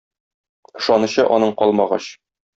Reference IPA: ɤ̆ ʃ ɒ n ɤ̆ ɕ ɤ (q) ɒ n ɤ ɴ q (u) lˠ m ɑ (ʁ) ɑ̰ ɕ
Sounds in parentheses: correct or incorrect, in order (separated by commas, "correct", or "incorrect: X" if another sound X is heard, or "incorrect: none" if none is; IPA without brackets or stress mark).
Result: incorrect: ʔ, incorrect: ɒ, correct